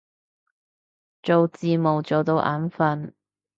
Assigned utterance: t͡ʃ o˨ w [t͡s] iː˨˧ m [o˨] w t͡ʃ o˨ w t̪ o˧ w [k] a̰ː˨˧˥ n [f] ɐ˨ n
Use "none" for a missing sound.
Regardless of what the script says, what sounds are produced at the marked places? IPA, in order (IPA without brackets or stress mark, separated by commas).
t͡s, o˨, ʔ, f